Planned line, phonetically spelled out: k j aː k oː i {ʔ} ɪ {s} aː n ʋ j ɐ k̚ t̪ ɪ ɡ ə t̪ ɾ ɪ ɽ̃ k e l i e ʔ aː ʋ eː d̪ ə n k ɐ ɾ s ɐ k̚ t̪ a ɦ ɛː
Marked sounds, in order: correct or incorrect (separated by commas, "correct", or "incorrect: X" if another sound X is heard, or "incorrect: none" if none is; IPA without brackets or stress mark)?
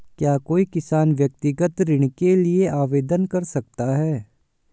incorrect: k, correct